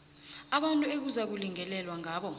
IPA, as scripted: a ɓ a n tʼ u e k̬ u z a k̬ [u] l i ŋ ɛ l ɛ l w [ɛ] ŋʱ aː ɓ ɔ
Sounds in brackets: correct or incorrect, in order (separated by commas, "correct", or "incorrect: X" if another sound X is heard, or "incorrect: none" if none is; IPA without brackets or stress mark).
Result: correct, incorrect: a